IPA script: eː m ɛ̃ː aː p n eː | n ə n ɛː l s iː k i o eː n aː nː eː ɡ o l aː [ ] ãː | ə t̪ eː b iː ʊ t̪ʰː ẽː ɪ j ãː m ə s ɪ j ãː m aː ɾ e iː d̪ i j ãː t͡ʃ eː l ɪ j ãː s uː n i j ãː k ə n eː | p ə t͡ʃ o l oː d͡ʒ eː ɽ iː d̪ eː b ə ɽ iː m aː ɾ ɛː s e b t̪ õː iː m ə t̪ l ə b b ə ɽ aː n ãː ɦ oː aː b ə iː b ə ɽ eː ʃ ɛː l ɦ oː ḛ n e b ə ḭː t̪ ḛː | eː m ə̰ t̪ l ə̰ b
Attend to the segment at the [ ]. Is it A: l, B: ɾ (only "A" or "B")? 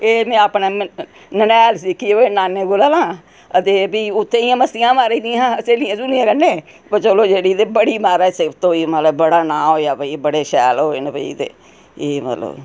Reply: A